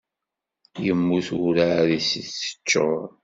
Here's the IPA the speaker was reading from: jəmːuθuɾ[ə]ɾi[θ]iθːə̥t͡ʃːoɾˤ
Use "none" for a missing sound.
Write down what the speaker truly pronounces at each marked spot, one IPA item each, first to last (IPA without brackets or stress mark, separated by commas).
a, s